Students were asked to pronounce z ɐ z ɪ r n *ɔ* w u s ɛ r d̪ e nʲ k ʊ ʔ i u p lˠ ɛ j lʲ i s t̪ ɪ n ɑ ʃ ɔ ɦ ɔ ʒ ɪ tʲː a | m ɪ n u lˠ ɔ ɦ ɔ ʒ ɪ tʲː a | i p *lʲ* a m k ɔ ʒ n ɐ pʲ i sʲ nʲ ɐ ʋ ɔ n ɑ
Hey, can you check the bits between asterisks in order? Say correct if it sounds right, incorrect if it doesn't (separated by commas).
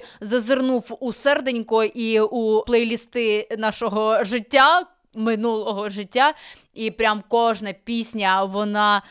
incorrect, incorrect